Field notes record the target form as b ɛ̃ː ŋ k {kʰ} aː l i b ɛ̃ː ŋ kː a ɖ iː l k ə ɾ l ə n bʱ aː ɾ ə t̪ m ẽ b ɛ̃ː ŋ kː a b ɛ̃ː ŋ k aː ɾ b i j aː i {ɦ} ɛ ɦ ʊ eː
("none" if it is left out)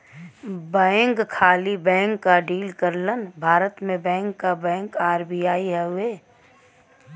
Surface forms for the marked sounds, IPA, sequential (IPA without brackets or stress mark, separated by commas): kʰ, ɦ